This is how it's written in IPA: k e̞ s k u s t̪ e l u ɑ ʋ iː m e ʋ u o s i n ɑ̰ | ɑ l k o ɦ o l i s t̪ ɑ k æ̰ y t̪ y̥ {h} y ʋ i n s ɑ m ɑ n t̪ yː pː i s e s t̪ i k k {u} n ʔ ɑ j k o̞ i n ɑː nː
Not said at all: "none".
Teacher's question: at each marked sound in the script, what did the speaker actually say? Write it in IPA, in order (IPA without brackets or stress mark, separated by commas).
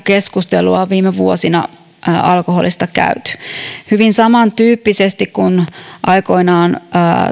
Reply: h, u